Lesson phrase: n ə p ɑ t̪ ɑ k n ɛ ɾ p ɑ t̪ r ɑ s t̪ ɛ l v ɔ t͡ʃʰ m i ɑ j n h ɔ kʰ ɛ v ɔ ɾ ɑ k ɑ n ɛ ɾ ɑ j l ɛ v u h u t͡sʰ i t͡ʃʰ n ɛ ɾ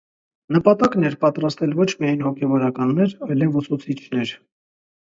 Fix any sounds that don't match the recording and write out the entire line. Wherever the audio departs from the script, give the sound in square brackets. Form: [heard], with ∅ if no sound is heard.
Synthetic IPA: n ə p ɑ t̪ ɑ k n ɛ ɾ p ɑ t̪ [ɾ] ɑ s t̪ ɛ l v ɔ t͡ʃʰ m i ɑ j n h ɔ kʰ ɛ v ɔ ɾ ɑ k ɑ [nː] ɛ ɾ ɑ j l ɛ v u [s] u t͡sʰ i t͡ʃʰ n ɛ ɾ